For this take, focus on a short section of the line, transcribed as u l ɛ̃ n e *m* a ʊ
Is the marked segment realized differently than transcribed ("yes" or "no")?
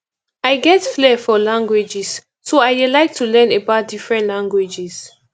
yes